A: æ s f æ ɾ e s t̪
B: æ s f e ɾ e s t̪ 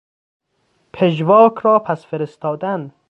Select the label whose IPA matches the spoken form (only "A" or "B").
B